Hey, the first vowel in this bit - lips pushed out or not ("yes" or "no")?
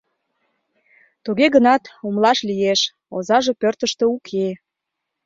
yes